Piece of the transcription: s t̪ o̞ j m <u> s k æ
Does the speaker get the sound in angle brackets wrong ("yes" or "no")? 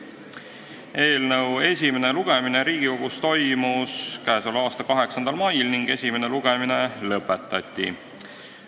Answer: no